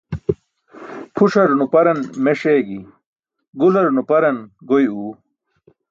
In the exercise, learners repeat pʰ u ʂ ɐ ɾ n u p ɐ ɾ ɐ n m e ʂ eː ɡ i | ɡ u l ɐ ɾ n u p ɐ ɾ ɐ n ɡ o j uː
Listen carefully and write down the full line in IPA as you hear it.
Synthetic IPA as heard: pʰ u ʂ ɐ ɾ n u p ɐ ɾ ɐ n m e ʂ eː ɡ i | ɡ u l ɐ ɾ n u p ɐ ɾ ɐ n ɡ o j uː